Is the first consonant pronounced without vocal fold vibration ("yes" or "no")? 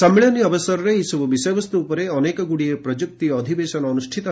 yes